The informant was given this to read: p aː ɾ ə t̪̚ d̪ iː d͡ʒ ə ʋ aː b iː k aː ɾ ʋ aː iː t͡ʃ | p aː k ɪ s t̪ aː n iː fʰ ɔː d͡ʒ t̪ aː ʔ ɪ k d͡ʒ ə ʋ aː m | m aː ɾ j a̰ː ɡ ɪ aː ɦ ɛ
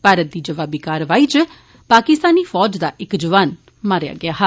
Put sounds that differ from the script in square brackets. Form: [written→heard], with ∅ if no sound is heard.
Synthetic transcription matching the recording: p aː ɾ ə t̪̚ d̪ iː d͡ʒ ə ʋ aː b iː k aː ɾ ʋ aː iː t͡ʃ | p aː k ɪ s t̪ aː n iː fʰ ɔː d͡ʒ [t̪→d̪] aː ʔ ɪ k d͡ʒ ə ʋ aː [m→n] | m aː ɾ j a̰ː ɡ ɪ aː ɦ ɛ